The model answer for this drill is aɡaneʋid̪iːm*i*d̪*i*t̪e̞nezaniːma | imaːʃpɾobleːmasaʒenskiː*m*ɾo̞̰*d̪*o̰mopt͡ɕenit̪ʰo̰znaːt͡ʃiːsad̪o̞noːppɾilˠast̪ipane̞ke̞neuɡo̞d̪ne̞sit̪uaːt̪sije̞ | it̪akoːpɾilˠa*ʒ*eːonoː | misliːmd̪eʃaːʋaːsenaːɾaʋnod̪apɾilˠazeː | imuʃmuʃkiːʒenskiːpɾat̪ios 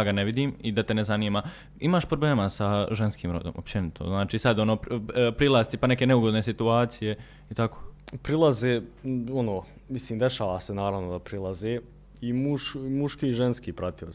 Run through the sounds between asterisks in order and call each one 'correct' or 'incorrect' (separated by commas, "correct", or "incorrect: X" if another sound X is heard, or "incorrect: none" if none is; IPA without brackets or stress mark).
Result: correct, incorrect: a, correct, correct, incorrect: z